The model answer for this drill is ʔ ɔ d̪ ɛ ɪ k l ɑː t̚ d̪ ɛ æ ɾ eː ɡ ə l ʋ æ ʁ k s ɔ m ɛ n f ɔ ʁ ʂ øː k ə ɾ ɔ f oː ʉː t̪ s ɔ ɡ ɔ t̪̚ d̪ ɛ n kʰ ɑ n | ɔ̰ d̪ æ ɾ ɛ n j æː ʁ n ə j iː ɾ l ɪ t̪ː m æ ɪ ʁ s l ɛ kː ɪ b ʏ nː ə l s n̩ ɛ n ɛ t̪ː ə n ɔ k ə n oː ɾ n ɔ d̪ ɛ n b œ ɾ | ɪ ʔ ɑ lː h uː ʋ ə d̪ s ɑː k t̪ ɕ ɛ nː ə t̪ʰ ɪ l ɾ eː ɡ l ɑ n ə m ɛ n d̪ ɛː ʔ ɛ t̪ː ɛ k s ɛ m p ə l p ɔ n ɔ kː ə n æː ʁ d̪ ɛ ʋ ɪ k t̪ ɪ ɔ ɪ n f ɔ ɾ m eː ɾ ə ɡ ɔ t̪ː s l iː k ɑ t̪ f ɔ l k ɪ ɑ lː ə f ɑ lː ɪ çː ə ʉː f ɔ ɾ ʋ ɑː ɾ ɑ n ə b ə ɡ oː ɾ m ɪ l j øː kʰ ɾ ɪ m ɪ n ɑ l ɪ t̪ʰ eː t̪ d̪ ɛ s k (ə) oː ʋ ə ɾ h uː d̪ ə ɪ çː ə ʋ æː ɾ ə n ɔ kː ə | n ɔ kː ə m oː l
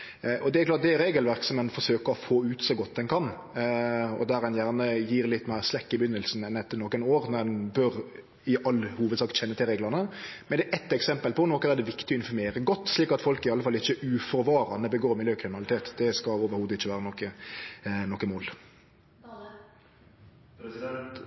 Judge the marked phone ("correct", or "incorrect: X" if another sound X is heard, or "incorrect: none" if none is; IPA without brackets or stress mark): incorrect: ɑ